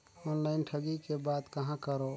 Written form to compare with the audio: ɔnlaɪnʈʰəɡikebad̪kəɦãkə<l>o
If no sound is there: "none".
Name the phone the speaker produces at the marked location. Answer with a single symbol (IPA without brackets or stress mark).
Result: ɾ